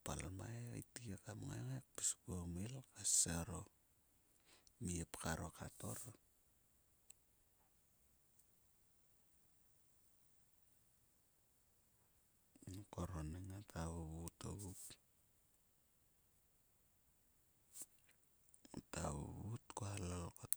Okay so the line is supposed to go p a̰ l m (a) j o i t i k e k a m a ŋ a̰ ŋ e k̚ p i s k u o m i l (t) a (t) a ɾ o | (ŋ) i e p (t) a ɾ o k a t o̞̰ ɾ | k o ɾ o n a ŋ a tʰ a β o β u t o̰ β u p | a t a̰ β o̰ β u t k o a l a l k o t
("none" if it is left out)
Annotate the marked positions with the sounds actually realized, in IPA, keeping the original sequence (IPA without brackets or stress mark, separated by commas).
a, k, s, m, k